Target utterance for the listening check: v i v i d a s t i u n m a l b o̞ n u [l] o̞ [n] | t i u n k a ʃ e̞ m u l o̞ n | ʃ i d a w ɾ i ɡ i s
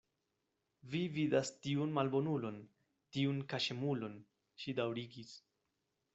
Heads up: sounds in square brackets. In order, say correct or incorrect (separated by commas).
correct, correct